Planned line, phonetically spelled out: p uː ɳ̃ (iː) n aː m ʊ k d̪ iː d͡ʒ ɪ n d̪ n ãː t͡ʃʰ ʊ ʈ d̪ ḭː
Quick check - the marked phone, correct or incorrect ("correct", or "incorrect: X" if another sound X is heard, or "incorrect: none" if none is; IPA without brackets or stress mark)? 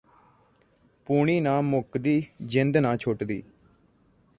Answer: correct